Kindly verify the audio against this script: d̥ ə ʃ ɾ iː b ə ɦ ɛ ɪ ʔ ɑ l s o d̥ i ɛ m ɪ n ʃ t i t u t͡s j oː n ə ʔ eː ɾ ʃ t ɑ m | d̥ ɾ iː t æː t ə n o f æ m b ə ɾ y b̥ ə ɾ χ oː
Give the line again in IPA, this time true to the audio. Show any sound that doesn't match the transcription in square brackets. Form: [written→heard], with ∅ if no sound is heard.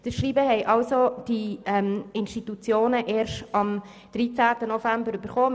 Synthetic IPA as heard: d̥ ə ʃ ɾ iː b ə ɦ ɛ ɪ ʔ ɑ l s o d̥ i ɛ m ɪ n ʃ t i t u t͡s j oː n ə ʔ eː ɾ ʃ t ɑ m | d̥ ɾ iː [t→t͡s] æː t ə n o f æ m b ə ɾ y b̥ ə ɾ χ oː